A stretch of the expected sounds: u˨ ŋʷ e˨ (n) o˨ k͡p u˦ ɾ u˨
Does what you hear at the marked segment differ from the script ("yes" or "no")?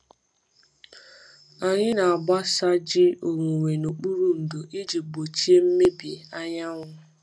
no